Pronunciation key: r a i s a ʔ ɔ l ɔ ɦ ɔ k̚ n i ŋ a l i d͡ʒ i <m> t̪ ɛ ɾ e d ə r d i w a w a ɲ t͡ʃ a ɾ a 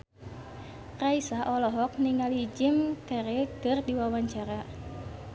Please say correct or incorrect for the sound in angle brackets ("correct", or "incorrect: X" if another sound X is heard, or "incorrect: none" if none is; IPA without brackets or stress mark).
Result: correct